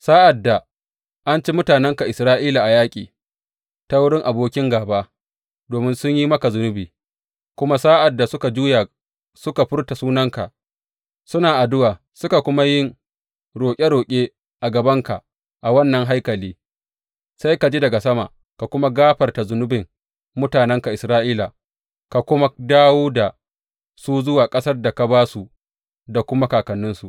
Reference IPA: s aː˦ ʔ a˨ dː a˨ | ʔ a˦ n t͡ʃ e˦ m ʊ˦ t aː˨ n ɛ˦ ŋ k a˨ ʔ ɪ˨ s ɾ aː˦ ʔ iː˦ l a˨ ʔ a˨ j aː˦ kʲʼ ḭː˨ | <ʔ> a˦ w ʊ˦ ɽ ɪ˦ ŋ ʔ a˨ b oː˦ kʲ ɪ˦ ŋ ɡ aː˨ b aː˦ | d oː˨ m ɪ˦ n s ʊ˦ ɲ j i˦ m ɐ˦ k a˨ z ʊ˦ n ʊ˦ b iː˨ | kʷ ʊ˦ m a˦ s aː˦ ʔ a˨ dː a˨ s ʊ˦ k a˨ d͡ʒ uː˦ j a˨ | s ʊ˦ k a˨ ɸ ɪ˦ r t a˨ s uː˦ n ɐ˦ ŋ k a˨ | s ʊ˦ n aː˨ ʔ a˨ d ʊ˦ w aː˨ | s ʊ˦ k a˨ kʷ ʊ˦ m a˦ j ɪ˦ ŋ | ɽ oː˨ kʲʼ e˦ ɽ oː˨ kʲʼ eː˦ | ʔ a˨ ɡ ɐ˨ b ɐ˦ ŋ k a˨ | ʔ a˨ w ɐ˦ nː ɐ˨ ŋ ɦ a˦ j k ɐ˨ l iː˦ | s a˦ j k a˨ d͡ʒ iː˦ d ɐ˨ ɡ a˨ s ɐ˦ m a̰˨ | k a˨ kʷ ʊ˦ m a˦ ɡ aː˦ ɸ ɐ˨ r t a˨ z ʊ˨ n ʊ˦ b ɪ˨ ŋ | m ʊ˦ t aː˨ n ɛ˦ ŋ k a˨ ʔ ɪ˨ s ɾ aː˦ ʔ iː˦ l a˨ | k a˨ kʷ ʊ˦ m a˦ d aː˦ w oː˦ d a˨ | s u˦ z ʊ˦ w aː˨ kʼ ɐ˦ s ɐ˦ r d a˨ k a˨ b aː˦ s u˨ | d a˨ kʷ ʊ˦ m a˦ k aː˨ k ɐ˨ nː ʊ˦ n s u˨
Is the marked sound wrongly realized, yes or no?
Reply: yes